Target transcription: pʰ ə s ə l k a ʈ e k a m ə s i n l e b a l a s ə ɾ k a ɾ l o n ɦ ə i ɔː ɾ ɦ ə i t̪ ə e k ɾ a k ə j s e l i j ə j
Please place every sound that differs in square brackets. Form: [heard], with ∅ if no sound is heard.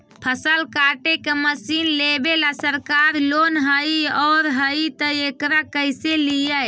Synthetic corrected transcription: pʰ ə s ə l k a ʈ e k [e] m ə s i n l e b [e] l a s ə ɾ k a ɾ l o n ɦ ə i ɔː ɾ ɦ ə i t̪ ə e k ɾ a k ə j s e l i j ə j